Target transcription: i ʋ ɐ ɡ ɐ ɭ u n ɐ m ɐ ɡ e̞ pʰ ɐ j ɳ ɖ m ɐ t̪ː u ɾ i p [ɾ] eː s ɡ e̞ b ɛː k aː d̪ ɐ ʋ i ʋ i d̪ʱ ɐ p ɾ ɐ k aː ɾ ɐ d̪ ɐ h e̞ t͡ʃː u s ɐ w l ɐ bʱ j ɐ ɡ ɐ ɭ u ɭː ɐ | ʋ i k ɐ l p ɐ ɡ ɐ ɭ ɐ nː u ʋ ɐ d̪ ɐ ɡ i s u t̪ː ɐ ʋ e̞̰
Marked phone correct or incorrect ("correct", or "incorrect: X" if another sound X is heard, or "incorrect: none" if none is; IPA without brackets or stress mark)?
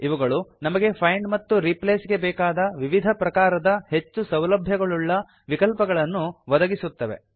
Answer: incorrect: l